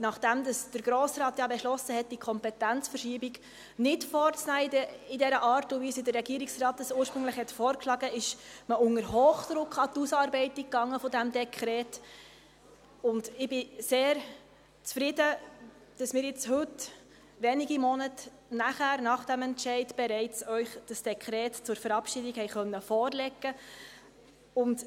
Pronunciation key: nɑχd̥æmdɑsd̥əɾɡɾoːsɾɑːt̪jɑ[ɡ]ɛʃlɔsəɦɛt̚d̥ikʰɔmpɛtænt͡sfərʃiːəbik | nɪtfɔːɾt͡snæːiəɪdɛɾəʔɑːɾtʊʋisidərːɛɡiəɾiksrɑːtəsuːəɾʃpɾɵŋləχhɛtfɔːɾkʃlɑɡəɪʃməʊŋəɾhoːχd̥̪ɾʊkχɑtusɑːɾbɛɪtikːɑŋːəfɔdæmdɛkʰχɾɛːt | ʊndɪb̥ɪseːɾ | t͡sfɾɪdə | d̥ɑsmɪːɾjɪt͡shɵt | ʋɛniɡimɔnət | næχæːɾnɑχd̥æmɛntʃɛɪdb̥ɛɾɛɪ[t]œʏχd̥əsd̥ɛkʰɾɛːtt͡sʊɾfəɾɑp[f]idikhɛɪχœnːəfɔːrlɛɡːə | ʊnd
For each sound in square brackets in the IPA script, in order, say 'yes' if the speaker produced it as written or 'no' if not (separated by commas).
no, no, no